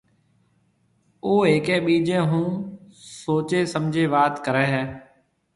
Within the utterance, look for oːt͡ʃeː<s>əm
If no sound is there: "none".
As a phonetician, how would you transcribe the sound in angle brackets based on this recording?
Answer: s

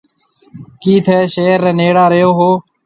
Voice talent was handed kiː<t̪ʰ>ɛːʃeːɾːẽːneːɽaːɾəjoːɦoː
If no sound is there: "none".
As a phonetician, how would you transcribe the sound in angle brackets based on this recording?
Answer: t̪ʰ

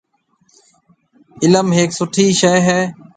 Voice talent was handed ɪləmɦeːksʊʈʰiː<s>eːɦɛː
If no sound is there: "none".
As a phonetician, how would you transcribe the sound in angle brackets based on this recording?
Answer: ʃ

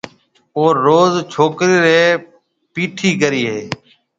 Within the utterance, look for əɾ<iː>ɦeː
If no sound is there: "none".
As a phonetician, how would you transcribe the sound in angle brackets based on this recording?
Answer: iː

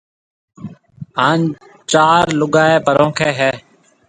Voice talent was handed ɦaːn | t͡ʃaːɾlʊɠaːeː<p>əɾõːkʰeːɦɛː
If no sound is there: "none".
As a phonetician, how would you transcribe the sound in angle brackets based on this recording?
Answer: p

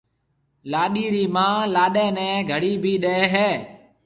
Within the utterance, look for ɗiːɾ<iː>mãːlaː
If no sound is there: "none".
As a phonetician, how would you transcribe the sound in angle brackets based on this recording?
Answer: iː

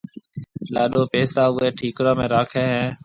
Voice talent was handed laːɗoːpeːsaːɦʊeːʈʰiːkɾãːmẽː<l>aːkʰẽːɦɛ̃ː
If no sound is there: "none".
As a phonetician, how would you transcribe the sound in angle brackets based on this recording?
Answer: ɾ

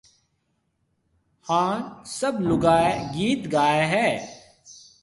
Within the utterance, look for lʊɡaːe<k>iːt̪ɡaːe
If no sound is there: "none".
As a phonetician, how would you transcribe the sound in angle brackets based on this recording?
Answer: ɡ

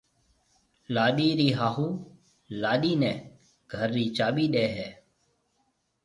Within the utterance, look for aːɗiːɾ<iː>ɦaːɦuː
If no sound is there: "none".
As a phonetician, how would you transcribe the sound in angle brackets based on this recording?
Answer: iː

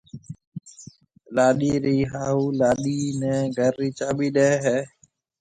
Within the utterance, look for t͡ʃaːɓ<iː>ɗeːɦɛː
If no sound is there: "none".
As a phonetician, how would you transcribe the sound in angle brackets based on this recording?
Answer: iː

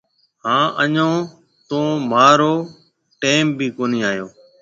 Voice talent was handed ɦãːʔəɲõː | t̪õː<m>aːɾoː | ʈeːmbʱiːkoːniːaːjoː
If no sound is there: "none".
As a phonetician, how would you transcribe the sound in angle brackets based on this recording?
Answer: m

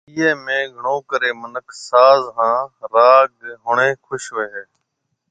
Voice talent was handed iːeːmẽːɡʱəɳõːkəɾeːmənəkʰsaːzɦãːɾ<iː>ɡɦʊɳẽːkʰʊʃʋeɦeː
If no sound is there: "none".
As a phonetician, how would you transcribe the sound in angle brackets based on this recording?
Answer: aː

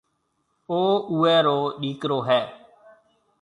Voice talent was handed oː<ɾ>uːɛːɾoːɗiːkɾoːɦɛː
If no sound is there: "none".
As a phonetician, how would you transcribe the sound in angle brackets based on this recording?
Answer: none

